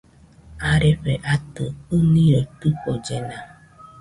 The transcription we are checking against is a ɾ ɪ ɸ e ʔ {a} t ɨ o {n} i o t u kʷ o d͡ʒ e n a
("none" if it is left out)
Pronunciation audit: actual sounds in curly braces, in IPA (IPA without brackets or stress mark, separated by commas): a, n